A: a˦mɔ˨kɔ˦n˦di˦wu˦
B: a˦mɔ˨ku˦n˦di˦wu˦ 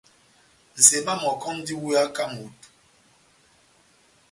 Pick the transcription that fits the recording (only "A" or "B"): A